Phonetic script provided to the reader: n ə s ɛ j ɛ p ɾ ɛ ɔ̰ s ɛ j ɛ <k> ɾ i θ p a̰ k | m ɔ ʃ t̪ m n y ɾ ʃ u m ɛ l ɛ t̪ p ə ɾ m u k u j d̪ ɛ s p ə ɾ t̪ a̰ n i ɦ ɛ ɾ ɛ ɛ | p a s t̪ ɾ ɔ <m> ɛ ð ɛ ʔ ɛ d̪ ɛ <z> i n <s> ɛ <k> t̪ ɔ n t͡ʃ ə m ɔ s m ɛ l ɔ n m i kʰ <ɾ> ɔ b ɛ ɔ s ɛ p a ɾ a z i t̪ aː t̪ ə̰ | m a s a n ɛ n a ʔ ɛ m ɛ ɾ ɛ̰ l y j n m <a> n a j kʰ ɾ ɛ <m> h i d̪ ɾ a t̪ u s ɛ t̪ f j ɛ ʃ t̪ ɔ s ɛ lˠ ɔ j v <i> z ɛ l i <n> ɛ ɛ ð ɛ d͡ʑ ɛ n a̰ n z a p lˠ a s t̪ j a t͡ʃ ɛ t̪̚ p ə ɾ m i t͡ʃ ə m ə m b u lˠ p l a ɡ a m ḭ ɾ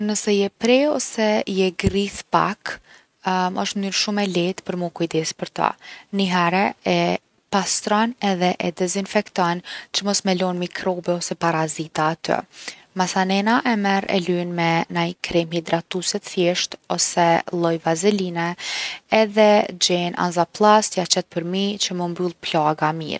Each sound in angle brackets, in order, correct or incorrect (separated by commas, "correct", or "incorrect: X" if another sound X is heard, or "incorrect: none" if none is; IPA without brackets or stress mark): incorrect: ɡ, incorrect: n, correct, incorrect: f, correct, correct, incorrect: ɛ, correct, incorrect: a, correct